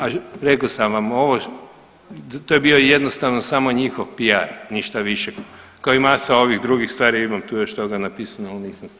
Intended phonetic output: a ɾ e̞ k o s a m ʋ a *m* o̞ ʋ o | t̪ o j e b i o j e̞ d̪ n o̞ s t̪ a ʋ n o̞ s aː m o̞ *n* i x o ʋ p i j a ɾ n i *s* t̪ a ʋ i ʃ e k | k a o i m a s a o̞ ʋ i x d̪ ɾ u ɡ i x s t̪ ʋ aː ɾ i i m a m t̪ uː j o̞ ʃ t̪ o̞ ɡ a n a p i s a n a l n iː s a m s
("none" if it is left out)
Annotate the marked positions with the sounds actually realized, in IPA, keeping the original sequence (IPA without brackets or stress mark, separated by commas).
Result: m, ɲ, ʃ